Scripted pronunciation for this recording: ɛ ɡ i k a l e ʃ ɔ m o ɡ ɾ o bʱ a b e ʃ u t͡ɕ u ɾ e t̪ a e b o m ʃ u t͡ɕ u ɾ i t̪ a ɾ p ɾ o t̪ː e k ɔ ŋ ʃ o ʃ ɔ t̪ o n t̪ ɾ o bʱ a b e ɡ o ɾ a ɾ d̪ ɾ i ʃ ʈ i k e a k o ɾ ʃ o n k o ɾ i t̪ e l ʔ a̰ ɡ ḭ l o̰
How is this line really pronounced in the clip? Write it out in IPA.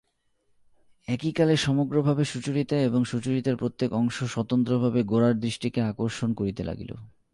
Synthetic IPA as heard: ɛ k i k a l e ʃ ɔ m o ɡ ɾ o bʱ a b e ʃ u t͡ɕ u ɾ i t̪ a e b o ŋ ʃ u t͡ɕ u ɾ i t̪ a ɾ p ɾ o t̪ː e k ɔ ŋ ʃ o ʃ ɔ t̪ o n t̪ ɾ o bʱ a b e ɡ o ɾ a ɾ d̪ ɾ i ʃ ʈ i k e a k o ɾ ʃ o n k o ɾ i t̪ e l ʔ a̰ ɡ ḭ l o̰